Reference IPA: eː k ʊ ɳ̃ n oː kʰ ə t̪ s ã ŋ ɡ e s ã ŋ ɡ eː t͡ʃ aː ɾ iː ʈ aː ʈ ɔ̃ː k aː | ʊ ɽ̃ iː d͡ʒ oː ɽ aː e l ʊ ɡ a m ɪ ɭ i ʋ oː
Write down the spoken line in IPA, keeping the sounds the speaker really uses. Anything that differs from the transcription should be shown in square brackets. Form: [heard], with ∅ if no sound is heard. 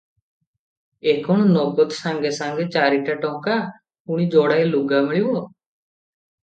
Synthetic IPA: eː k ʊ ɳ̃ n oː [k] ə t̪ s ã ŋ ɡ e s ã ŋ ɡ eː t͡ʃ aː ɾ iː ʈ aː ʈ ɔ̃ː k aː | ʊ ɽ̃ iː d͡ʒ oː ɽ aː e l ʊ ɡ a m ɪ ɭ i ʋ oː